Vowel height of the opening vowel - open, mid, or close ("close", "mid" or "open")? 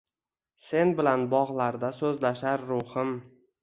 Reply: mid